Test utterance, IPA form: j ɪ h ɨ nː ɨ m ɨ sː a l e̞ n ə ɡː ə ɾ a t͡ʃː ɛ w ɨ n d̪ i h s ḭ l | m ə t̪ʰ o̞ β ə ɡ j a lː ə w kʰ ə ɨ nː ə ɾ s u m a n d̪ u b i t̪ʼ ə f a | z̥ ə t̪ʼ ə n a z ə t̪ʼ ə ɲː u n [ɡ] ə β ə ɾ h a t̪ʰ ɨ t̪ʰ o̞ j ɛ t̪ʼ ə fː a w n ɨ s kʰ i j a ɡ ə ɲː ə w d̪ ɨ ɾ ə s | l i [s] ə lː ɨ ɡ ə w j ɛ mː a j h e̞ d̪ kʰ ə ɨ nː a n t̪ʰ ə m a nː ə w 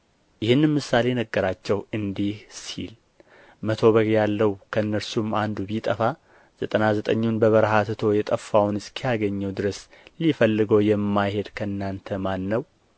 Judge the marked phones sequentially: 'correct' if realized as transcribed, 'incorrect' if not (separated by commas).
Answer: incorrect, incorrect